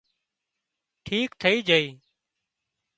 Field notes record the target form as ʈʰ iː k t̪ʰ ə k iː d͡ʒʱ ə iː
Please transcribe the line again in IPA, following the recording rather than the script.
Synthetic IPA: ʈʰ iː k t̪ʰ ə iː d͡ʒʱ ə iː